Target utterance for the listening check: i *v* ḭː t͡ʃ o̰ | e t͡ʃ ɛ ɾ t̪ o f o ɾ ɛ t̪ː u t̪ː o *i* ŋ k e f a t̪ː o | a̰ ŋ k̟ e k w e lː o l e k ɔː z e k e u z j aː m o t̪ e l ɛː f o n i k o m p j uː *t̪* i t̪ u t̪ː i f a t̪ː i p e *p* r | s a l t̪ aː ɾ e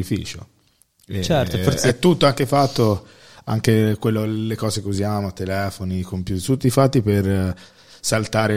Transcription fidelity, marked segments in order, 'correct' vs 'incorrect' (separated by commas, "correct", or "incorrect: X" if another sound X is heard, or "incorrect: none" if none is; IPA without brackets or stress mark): incorrect: f, incorrect: a, correct, incorrect: none